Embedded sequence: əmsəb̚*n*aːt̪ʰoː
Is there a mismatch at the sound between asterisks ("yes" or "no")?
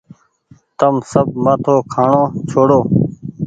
yes